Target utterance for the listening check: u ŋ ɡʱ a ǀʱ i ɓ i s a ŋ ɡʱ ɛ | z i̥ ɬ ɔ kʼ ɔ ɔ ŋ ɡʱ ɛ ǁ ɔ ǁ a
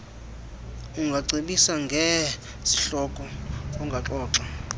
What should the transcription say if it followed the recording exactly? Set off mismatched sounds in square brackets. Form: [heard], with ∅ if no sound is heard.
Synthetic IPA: u ŋ ɡʱ a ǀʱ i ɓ i s a ŋ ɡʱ ɛ | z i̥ ɬ ɔ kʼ ɔ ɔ ŋ ɡʱ [a] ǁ [ɔː] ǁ a